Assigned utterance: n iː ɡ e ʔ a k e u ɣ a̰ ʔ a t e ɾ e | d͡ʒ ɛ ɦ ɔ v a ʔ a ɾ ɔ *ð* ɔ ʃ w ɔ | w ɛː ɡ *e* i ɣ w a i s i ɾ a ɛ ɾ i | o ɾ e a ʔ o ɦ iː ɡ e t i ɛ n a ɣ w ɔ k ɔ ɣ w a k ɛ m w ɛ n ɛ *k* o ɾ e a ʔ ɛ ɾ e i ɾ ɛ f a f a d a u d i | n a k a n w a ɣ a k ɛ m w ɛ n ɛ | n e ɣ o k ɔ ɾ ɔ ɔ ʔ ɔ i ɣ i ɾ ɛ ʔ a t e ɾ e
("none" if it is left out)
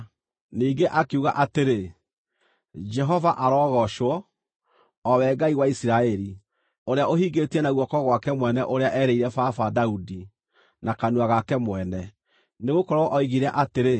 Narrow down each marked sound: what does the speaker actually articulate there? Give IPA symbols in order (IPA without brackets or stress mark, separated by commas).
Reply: ɣ, a, ʔ